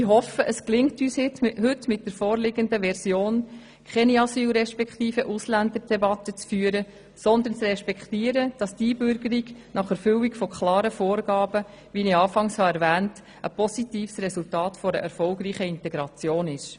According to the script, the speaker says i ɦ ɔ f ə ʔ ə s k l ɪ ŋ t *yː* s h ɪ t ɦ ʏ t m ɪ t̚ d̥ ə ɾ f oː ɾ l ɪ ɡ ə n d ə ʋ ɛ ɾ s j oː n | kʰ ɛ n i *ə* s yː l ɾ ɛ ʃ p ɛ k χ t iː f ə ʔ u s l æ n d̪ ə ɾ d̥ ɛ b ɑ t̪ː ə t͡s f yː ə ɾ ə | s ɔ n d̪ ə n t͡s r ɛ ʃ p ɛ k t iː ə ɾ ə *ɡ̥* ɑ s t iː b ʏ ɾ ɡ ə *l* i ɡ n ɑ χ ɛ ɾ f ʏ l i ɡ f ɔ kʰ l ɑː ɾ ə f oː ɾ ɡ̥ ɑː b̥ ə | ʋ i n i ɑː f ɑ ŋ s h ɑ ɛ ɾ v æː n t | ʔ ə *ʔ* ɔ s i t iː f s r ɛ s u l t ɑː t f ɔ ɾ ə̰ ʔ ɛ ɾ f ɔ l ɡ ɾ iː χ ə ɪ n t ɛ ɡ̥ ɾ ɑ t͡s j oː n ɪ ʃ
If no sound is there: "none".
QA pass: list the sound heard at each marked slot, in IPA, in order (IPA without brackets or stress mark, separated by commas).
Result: yː, ɑ, d̥, ɾ, p